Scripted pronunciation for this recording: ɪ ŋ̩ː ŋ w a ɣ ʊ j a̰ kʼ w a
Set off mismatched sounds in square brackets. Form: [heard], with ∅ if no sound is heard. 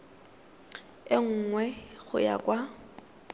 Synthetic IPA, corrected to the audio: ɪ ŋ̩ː ŋ w [ɛ] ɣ ʊ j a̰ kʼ w a